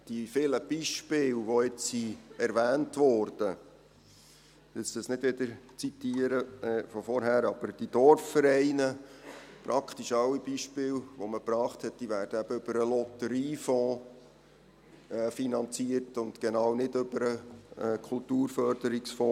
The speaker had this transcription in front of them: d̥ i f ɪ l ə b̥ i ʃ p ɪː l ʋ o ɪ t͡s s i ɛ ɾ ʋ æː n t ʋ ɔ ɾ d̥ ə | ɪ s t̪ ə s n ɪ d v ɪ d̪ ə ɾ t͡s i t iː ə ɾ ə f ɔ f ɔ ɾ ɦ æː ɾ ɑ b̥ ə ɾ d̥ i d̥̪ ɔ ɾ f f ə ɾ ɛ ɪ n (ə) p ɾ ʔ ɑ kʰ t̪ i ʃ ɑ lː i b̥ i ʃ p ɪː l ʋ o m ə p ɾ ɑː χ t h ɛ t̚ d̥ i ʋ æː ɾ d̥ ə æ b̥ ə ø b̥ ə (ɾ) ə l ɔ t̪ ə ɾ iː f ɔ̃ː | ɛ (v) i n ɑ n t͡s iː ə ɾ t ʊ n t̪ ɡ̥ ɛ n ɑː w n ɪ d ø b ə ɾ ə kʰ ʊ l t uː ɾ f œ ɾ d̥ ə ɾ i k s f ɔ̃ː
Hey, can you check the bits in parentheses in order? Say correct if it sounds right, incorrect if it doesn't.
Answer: correct, correct, incorrect: f

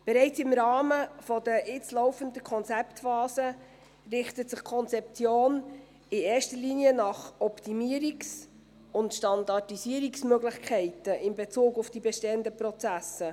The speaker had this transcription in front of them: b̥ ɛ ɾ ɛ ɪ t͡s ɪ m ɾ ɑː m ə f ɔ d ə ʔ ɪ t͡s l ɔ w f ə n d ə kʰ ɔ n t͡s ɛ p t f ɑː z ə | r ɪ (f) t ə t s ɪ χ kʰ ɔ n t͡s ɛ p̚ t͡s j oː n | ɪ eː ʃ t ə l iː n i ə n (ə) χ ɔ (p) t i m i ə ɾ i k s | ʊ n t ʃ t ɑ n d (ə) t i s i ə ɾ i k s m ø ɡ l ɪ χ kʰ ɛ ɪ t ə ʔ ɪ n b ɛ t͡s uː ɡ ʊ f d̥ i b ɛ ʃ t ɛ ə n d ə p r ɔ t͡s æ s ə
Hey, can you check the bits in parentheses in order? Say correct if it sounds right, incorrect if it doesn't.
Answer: incorrect: χ, incorrect: ɑ, correct, incorrect: ɑ

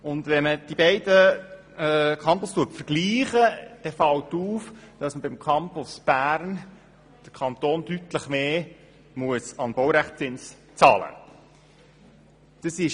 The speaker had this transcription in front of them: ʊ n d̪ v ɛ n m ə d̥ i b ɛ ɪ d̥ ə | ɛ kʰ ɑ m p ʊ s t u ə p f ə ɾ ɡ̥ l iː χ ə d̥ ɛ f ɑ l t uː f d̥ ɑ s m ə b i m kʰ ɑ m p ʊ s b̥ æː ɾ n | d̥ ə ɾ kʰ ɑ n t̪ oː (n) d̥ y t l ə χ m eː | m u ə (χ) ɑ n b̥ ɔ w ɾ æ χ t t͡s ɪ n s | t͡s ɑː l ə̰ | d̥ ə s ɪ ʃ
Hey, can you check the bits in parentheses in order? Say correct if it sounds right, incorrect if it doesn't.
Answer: correct, incorrect: s

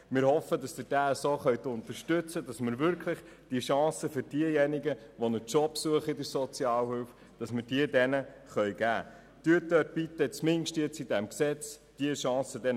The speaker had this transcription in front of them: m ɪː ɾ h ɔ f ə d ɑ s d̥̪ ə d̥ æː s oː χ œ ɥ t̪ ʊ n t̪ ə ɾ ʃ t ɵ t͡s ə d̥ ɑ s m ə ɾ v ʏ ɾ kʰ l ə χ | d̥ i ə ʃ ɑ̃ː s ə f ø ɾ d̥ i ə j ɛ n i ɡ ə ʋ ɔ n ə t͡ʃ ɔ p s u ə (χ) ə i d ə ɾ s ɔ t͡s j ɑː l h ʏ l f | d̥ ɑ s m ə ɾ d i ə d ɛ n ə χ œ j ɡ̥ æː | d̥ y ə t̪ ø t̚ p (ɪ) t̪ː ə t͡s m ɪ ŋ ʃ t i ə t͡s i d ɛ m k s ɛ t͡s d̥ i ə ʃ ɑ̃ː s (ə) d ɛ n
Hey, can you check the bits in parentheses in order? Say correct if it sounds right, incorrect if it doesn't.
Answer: correct, incorrect: i, correct

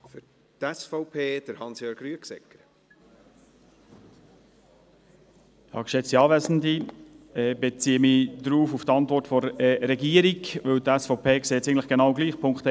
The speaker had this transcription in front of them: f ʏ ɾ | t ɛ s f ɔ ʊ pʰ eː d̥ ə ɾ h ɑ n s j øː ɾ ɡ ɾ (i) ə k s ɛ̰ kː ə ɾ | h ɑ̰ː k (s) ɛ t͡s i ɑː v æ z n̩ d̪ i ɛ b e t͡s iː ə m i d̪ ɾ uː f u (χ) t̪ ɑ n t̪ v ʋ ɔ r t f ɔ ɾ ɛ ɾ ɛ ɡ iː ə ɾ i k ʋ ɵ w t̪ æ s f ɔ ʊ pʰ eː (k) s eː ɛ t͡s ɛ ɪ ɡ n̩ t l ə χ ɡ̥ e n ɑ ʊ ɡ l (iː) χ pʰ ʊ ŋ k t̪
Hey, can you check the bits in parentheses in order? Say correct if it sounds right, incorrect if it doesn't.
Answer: incorrect: y, incorrect: ʃ, incorrect: f, correct, correct

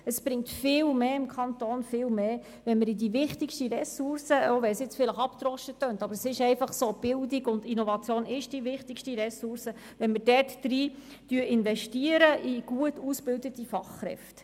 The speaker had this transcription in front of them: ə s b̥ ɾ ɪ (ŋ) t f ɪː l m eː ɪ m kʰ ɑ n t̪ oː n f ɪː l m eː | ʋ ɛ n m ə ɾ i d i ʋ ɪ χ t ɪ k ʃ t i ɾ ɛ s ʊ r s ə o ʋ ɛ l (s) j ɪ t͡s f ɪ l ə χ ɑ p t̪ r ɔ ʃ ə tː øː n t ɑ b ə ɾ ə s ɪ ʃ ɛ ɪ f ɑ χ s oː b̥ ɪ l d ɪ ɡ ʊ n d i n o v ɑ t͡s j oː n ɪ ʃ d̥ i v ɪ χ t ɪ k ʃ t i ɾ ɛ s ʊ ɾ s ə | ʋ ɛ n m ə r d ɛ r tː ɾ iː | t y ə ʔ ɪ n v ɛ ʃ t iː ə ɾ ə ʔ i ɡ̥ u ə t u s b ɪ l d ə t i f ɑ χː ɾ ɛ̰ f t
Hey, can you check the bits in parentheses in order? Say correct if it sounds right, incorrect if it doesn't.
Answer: correct, correct

